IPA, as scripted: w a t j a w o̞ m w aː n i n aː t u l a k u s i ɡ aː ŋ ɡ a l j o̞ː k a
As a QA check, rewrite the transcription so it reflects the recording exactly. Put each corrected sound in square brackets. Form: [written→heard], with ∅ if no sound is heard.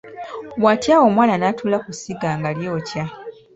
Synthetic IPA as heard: w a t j a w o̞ m w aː n [i→a] n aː t u l a k u s i ɡ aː ŋ ɡ a l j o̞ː [k→c] a